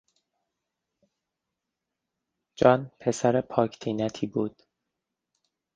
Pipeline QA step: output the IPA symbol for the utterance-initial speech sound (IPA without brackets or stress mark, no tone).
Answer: d͡ʒ